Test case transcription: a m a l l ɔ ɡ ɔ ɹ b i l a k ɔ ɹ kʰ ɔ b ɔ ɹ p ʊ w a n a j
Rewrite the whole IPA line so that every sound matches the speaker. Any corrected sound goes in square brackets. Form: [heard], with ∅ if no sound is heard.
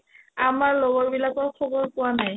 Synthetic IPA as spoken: a m a [ɹ] l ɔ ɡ ɔ ɹ b i l a k ɔ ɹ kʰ ɔ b ɔ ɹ p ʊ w a n a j